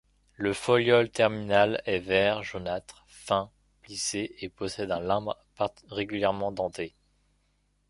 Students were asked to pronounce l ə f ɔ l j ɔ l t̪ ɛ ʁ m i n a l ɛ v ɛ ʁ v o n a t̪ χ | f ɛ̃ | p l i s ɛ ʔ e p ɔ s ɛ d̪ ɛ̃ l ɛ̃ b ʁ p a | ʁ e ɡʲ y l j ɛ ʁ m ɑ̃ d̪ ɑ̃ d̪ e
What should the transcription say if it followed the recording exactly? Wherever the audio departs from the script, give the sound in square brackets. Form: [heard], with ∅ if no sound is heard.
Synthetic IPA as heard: l ə f ɔ l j ɔ l t̪ ɛ ʁ m i n a l ɛ v ɛ ʁ [ʒ] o n a t̪ χ | f ɛ̃ | p l i s [e] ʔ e p ɔ s ɛ d̪ ɛ̃ l ɛ̃ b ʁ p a | ʁ e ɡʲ y l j ɛ ʁ m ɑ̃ d̪ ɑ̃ [t̪] e